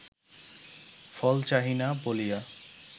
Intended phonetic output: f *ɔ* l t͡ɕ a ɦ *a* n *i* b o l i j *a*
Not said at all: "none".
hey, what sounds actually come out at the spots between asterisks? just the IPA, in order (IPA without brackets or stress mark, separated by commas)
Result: ɔ, i, a, a